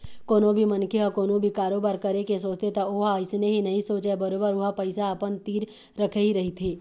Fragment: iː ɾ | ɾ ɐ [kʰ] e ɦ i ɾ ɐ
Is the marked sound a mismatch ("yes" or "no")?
no